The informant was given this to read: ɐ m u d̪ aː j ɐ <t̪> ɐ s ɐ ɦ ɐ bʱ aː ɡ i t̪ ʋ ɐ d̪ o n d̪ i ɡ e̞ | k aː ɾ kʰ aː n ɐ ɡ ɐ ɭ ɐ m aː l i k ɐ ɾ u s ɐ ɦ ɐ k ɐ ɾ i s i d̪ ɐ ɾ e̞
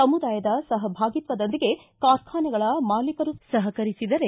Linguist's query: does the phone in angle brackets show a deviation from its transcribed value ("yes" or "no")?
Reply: yes